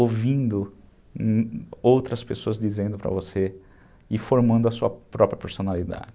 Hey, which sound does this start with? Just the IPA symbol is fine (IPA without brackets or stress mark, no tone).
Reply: o